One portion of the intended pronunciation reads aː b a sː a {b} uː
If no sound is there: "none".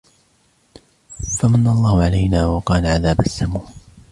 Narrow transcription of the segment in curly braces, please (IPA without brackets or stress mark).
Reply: m